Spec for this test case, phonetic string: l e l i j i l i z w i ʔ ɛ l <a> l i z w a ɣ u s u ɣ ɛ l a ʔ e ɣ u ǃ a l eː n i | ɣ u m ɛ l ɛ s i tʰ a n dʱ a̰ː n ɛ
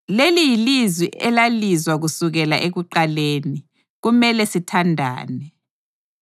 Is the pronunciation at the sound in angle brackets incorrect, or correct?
correct